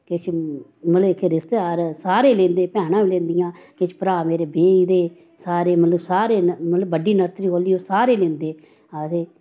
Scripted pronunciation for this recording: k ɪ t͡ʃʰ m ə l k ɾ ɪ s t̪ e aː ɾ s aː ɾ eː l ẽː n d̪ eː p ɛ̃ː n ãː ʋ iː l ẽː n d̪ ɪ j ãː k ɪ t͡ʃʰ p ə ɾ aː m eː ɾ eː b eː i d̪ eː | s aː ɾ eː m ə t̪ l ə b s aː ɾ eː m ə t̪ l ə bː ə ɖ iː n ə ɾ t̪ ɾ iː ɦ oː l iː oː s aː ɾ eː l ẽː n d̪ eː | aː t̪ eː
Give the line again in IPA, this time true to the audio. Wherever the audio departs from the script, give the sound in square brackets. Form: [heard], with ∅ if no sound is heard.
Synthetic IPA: k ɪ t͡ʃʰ m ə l k ɾ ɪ s t̪ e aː ɾ s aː ɾ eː l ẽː n d̪ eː p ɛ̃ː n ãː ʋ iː l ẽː n d̪ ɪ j ãː k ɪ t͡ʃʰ p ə ɾ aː m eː ɾ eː b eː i d̪ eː | s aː ɾ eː m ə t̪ l ə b s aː ɾ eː m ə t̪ l ə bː ə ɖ iː n ə ɾ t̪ ɾ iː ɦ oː l iː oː s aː ɾ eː l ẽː n d̪ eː | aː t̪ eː